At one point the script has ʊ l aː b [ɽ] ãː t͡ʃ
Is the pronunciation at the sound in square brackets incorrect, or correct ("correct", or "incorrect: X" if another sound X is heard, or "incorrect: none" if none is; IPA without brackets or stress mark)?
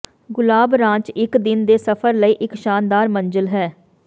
incorrect: ɾ